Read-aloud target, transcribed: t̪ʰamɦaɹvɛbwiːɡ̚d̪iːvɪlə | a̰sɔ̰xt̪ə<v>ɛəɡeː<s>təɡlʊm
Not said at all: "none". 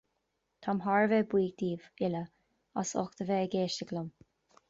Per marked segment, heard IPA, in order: v, ʃ

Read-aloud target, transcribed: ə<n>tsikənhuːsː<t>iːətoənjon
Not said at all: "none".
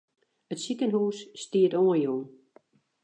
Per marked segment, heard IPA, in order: none, t

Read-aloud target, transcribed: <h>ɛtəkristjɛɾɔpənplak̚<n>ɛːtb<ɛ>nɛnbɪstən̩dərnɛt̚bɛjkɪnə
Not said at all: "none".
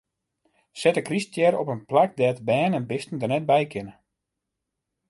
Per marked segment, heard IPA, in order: s, d, ɛː

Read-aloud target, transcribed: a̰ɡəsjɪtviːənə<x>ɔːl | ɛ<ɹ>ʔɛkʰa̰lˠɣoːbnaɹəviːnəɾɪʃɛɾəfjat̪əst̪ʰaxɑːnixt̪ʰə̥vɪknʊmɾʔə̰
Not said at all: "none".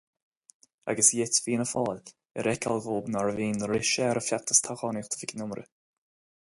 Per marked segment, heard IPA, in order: f, ɾ

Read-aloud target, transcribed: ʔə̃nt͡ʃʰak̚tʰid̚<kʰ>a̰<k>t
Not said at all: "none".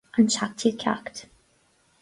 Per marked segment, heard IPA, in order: kʰ, k

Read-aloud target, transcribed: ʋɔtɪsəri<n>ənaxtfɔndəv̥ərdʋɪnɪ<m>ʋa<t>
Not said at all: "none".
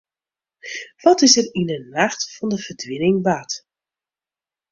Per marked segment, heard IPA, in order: n, ŋ, t

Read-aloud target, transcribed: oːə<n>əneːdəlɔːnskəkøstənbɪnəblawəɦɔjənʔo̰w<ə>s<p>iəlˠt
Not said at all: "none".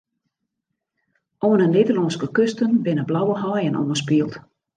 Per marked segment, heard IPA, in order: n, ə, p

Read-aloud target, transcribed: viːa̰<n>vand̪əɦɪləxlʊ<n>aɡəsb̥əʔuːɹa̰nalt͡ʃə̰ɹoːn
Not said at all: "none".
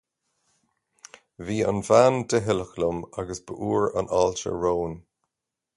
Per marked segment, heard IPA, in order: n, m

